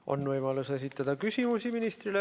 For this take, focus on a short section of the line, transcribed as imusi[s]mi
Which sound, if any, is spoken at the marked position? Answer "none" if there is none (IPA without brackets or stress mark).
none